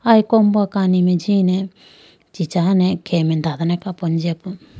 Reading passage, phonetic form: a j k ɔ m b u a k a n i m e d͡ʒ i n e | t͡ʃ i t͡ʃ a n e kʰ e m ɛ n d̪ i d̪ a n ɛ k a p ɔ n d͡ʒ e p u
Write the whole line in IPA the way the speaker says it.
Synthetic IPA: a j k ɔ m b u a k a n i m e d͡ʒ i n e | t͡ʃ i t͡ʃ a n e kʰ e m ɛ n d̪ a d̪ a n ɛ k a p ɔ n d͡ʒ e p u